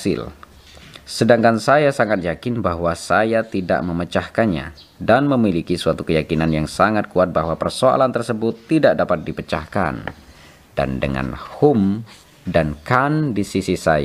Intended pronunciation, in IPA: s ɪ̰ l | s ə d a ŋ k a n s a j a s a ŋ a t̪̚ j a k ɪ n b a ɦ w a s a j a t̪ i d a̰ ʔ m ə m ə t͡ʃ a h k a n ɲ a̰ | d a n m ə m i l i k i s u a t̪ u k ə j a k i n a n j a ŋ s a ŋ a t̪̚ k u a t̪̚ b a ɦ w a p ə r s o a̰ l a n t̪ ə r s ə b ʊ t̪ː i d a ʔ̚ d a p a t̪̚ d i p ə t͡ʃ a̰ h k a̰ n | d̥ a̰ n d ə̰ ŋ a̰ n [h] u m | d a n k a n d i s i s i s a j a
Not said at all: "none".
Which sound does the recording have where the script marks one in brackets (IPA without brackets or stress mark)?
h